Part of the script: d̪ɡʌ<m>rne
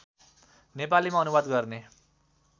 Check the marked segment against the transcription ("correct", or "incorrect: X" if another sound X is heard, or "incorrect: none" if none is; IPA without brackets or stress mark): incorrect: none